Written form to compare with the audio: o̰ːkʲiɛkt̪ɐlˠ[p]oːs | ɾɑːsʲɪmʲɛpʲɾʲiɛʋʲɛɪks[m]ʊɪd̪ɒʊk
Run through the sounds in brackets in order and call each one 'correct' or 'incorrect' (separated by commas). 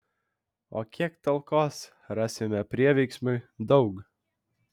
incorrect, correct